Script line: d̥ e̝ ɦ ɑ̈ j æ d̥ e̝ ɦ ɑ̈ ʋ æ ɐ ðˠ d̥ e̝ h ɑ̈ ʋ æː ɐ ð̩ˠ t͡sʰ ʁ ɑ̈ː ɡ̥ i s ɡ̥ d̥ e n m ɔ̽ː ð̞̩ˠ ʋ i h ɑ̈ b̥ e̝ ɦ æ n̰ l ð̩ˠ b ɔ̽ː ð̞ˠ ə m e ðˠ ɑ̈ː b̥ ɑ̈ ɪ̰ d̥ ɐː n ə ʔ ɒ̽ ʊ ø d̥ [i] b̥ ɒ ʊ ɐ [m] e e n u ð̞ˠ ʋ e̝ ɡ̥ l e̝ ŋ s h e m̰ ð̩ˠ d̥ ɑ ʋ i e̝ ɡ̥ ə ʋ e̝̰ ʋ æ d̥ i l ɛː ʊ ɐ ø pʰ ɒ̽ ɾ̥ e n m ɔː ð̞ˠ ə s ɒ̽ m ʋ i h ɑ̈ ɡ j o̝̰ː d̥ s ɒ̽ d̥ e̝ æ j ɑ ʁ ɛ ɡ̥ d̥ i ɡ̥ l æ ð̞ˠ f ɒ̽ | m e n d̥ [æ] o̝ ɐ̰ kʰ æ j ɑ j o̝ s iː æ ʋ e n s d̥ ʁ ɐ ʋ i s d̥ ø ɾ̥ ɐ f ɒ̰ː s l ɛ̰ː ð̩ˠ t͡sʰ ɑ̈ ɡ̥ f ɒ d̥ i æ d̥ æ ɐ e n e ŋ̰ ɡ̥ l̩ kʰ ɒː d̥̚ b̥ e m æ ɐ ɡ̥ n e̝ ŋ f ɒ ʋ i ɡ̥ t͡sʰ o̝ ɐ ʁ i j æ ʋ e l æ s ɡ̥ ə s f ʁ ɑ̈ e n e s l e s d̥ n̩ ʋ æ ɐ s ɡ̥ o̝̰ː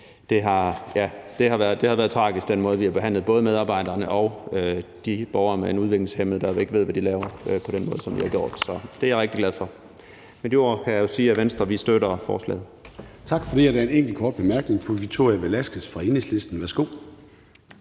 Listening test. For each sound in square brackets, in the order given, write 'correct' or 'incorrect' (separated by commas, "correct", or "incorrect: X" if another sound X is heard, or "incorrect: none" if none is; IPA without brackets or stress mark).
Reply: correct, correct, incorrect: i